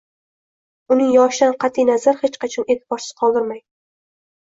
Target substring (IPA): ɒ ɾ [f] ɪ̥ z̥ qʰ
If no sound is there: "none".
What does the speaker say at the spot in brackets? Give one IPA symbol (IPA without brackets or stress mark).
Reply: s